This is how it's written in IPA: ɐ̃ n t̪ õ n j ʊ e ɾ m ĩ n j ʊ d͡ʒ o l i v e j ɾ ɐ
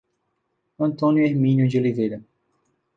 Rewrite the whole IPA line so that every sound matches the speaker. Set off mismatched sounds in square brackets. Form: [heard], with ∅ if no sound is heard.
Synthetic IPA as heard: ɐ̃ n t̪ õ n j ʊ e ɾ m ĩ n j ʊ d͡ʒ o l i v e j ɾ ɐ